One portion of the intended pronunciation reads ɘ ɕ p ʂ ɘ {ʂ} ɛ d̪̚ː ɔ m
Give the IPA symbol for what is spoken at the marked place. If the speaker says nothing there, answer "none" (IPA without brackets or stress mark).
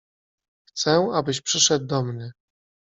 ʂ